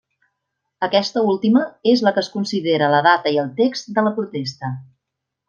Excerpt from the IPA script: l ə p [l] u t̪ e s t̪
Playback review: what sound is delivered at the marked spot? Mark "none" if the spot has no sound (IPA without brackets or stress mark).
ɾ